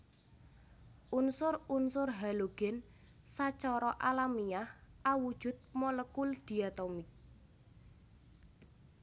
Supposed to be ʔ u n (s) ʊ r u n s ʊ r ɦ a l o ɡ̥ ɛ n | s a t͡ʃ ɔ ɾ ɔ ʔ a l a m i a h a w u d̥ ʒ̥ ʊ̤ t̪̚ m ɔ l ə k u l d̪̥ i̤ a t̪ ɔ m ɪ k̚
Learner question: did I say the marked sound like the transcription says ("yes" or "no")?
yes